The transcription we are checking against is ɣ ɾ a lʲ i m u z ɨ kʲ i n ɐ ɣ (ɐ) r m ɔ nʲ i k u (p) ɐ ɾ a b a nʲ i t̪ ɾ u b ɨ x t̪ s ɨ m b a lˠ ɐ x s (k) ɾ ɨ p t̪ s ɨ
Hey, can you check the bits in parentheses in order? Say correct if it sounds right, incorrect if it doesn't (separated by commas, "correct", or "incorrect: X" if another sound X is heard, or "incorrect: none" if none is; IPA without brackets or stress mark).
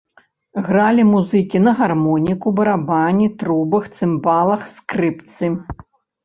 incorrect: a, incorrect: b, correct